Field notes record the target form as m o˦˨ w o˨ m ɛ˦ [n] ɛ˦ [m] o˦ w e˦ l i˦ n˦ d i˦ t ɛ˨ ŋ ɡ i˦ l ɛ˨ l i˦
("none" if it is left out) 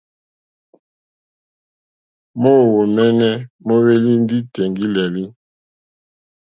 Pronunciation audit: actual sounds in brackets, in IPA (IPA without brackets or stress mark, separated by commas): n, m